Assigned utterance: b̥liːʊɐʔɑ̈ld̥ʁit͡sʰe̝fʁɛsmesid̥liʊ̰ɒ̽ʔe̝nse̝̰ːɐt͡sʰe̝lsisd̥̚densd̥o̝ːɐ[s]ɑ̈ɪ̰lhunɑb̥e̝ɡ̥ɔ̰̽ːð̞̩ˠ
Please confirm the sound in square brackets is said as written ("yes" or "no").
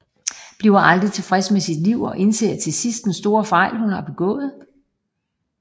no